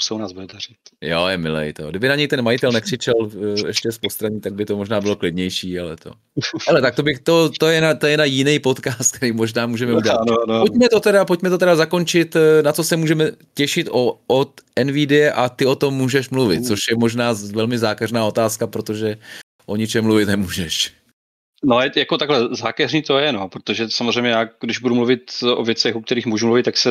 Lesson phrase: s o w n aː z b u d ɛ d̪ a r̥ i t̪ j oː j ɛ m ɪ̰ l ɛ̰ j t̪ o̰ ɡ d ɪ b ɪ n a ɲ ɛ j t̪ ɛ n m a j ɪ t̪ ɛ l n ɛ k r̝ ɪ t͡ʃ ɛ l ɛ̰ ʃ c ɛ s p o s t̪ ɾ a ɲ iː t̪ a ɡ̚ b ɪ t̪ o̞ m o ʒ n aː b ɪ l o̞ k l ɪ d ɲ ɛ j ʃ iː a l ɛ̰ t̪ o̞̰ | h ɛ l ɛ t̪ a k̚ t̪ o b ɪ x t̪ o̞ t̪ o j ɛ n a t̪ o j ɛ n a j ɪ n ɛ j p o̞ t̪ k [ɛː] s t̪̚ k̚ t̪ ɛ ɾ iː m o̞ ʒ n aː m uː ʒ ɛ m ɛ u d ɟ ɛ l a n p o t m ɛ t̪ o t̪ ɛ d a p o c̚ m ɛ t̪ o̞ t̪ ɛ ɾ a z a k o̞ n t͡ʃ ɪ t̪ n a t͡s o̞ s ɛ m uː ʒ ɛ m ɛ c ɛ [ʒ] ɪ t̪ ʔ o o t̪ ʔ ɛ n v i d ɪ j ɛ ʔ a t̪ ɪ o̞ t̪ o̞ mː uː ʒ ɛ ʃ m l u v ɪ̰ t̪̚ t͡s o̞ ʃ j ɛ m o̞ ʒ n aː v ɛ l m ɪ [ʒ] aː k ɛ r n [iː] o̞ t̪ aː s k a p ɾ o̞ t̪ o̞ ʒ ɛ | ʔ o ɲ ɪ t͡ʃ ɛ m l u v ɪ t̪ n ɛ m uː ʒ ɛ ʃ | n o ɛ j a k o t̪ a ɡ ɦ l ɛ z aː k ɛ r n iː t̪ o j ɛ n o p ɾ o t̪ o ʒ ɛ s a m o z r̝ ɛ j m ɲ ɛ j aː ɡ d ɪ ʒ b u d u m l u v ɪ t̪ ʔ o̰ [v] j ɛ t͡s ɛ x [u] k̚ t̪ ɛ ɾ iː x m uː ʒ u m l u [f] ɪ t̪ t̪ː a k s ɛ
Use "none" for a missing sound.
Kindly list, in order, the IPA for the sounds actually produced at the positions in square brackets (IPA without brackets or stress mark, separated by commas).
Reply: aː, ʃ, z, aː, v, u, v